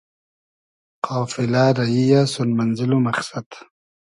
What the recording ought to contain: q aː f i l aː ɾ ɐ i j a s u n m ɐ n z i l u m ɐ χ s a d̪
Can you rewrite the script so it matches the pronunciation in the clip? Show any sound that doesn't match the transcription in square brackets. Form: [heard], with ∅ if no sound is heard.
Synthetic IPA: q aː f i l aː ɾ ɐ i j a s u n m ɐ n z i l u m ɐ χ s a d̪